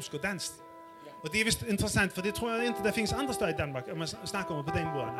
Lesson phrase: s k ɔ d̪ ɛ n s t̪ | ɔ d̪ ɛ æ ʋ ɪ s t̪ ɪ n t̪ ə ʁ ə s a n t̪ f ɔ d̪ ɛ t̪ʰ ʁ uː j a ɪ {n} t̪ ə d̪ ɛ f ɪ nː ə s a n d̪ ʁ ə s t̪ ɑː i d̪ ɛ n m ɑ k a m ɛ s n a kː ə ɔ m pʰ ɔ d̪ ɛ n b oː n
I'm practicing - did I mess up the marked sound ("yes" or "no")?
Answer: no